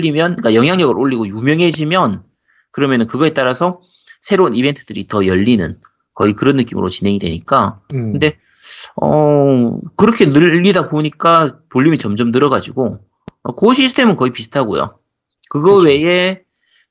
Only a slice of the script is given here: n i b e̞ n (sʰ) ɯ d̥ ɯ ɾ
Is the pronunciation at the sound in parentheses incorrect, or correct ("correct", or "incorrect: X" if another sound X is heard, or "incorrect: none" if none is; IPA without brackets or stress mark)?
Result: incorrect: tʰ